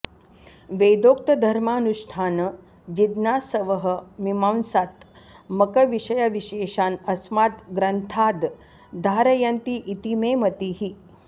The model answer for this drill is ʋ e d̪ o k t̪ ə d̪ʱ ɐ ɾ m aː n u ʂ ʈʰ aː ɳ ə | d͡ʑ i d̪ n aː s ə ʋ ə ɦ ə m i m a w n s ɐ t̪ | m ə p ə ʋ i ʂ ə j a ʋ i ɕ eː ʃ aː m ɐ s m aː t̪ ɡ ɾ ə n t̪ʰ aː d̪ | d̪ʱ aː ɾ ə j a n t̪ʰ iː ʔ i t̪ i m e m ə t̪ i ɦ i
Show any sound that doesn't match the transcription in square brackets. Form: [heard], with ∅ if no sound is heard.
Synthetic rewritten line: ʋ e d̪ o k t̪ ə d̪ʱ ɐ ɾ m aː n u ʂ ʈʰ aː [n] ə | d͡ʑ i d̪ n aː s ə ʋ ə ɦ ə m i m a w n s [a] t̪ | m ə [k] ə ʋ i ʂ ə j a ʋ i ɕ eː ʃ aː [n] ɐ s m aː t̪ ɡ ɾ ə n t̪ʰ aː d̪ | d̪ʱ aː ɾ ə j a n [t̪] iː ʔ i t̪ i m e m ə t̪ i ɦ i

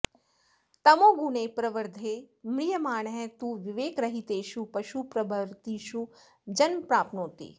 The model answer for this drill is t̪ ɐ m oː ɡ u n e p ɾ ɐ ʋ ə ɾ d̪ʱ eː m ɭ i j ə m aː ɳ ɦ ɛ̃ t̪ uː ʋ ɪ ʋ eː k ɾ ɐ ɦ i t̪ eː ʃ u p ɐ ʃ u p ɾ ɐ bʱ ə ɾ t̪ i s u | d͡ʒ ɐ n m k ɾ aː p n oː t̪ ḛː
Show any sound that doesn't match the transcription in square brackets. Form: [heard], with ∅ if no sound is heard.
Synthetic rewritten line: t̪ ɐ m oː ɡ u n e p ɾ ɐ ʋ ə ɾ d̪ʱ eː m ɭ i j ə m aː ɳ ɦ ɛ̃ t̪ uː ʋ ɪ ʋ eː k ɾ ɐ ɦ i t̪ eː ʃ u p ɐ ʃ u p ɾ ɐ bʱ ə ɾ t̪ i [ʃ] u | d͡ʒ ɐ n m [p] ɾ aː p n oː t̪ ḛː

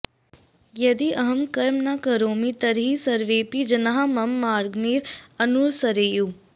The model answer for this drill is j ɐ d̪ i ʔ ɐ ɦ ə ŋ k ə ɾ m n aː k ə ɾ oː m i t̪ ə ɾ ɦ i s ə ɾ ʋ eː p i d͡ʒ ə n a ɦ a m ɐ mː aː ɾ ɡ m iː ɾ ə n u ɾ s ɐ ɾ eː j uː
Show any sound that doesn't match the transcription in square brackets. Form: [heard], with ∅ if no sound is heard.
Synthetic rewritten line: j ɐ d̪ i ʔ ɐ ɦ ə [m] k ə ɾ m n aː k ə ɾ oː m i t̪ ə ɾ ɦ i s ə ɾ ʋ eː p i d͡ʒ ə n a ɦ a m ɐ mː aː ɾ ɡ m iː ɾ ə n u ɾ s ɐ ɾ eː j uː

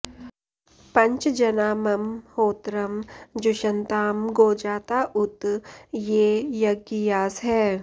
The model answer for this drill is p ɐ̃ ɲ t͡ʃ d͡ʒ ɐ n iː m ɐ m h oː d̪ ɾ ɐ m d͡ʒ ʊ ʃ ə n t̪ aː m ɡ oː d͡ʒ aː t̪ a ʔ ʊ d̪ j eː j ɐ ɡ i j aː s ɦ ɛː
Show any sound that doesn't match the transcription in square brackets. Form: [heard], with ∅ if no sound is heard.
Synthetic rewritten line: p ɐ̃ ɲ t͡ʃ d͡ʒ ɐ n [aː] m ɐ m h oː [t̪] ɾ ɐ m d͡ʒ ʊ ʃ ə n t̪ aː m ɡ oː d͡ʒ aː t̪ a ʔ ʊ [t̪] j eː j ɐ ɡ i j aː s ɦ ɛː

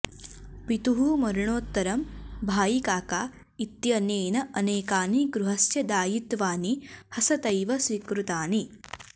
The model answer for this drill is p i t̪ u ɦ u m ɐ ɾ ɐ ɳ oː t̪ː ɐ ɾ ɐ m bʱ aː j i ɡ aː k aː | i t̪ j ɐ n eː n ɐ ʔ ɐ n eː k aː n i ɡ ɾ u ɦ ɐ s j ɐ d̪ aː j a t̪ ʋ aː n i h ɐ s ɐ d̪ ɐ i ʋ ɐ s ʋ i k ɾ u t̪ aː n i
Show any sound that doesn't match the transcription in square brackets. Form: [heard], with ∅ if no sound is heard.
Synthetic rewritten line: p i t̪ u ɦ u m ɐ ɾ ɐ ɳ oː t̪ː ɐ ɾ ɐ m bʱ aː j i [k] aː k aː | i t̪ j ɐ n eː n ɐ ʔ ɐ n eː k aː n i ɡ ɾ u ɦ ɐ s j ɐ d̪ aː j [i] t̪ ʋ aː n i h ɐ s ɐ [t̪] ɐ [j] ʋ ɐ s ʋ i k ɾ u t̪ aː n i

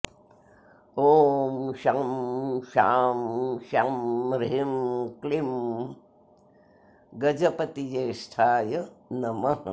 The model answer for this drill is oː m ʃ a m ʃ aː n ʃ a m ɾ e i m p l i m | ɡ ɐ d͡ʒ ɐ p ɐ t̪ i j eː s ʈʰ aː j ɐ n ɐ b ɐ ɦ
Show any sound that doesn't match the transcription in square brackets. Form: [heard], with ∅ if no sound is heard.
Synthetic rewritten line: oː m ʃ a m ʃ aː [m] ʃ a m ɾ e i m [k] l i m | ɡ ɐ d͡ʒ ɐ p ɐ t̪ i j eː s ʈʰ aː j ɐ n ɐ [m] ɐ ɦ

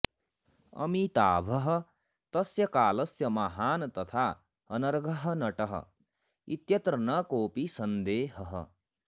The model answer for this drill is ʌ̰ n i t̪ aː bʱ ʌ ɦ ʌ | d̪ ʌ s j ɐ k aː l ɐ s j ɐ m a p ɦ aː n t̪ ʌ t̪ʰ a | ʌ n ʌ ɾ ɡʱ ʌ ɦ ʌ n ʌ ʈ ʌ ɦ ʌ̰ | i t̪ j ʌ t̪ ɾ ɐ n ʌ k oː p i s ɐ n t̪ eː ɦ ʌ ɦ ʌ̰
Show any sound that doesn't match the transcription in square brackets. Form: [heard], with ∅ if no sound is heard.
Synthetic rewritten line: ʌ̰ [m] i t̪ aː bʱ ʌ ɦ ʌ | [t̪] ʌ s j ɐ k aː l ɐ s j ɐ m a [∅] ɦ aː n t̪ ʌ t̪ʰ a | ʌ n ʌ ɾ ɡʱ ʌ ɦ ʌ n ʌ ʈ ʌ ɦ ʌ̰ | i t̪ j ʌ t̪ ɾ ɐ n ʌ k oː p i s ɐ n [d̪] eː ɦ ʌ ɦ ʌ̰

